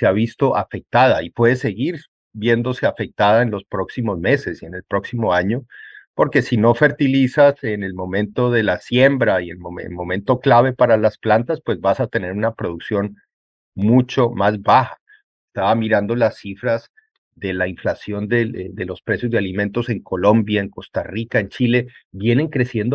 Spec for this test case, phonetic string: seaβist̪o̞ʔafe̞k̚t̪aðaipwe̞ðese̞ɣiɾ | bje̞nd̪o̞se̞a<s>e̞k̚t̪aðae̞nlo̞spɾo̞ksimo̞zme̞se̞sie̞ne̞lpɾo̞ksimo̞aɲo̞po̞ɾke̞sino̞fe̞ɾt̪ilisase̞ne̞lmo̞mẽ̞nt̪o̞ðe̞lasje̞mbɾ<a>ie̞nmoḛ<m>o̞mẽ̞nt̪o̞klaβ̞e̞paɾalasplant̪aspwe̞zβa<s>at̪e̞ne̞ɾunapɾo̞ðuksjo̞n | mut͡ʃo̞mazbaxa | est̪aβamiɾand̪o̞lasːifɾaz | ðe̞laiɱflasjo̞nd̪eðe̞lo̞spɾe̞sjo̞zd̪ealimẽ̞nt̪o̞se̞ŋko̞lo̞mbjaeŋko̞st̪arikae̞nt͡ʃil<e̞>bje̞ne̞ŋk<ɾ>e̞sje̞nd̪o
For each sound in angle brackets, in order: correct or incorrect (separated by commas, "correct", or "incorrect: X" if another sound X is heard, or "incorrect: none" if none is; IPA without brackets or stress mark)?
incorrect: f, correct, correct, correct, correct, correct